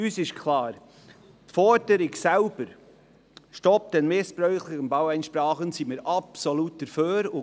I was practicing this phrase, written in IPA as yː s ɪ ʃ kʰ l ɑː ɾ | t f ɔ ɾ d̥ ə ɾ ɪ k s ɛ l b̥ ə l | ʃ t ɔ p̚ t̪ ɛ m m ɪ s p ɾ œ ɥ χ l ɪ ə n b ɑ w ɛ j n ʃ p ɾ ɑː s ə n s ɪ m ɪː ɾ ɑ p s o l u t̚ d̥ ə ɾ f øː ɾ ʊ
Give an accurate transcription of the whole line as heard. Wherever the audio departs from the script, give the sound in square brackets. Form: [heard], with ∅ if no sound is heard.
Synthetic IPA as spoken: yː s ɪ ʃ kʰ l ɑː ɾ | t f ɔ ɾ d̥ ə ɾ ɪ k s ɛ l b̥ ə [ɾ] | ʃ t ɔ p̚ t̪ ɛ [n] m ɪ s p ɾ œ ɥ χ l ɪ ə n b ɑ w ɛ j n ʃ p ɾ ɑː [χ] ə n s [i] m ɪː ɾ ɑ p s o l u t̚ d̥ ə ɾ f øː ɾ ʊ